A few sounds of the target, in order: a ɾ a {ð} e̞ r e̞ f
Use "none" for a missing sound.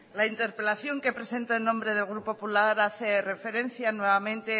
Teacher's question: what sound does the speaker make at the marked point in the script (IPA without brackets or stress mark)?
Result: θ